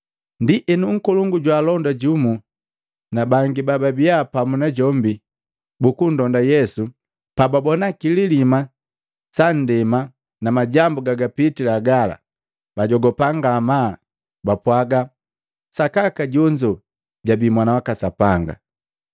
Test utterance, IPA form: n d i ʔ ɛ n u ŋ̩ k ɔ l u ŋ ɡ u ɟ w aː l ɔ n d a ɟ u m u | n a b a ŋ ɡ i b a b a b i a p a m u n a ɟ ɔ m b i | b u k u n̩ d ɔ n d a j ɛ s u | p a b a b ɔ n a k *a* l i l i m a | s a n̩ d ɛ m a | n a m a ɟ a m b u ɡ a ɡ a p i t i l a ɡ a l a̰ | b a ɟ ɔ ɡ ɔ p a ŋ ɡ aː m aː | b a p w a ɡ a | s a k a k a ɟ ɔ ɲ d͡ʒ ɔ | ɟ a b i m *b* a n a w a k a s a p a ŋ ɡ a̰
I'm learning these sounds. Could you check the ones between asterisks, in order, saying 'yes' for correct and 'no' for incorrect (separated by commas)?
no, no